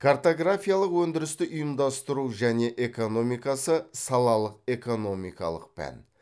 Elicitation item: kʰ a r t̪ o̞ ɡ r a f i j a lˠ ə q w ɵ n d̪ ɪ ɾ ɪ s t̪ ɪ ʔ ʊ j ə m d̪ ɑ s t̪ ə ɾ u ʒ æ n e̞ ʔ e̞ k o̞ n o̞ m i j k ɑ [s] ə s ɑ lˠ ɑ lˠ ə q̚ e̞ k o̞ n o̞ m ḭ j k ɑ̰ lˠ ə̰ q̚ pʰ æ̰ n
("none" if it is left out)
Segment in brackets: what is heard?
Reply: s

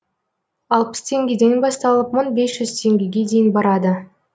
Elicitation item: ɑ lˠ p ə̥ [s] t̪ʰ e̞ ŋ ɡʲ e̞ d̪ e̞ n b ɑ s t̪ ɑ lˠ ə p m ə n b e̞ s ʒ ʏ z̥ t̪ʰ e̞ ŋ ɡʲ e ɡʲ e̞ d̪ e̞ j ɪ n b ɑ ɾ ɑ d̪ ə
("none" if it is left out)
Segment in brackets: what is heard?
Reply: s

